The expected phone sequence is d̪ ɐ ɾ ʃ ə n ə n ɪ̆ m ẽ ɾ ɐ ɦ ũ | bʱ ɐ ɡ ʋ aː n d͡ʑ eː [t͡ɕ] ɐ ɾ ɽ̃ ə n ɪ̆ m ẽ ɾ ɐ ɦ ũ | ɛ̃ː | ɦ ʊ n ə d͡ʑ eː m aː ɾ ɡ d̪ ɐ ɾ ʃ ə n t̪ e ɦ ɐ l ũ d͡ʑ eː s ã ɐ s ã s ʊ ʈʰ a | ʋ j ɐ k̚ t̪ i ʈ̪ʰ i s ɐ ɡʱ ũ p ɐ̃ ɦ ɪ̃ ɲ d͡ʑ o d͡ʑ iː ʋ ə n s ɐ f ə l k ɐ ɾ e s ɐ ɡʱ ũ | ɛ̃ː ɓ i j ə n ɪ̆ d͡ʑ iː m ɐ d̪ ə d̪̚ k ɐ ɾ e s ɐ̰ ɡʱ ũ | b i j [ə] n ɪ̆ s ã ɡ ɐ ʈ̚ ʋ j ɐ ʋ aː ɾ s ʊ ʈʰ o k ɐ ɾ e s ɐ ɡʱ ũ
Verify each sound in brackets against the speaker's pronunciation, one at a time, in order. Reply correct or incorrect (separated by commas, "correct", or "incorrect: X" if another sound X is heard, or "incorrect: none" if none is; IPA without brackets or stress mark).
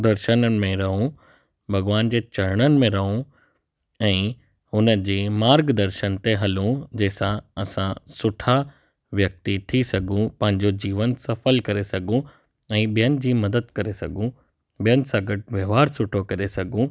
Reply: correct, correct